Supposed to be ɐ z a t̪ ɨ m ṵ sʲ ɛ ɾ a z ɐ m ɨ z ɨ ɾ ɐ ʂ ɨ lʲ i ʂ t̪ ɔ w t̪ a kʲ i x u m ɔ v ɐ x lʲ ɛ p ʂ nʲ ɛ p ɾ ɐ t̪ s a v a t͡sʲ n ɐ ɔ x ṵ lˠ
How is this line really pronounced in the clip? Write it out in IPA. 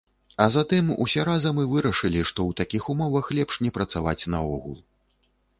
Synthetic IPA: ɐ z a t̪ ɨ m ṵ sʲ ɛ ɾ a z ɐ m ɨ v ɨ ɾ ɐ ʂ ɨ lʲ i ʂ t̪ ɔ w t̪ a kʲ i x u m ɔ v ɐ x lʲ ɛ p ʂ nʲ ɛ p ɾ ɐ t̪ s a v a t͡sʲ n ɐ ɔ ɣ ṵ lˠ